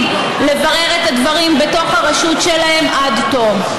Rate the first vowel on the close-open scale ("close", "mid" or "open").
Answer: mid